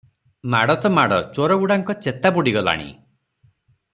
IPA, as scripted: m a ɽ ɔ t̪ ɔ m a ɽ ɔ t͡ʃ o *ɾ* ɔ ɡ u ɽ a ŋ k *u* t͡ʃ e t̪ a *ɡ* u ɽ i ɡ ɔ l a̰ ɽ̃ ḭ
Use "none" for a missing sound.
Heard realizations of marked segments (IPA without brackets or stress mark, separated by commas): ɾ, ɔ, b